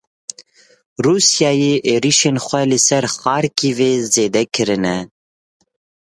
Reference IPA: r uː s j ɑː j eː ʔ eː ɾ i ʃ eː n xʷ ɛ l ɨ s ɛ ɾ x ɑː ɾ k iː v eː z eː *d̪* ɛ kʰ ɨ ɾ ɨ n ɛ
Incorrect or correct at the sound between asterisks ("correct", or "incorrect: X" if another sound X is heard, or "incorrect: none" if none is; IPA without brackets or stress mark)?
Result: correct